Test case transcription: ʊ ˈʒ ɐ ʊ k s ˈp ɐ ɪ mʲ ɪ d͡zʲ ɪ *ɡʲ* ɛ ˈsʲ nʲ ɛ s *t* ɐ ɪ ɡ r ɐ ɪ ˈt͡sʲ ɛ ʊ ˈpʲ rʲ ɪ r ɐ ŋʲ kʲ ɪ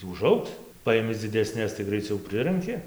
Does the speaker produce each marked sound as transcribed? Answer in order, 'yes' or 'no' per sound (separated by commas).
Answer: no, yes